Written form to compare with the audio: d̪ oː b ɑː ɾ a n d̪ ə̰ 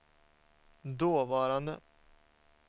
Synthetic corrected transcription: d̪ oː v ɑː ɾ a n d̪ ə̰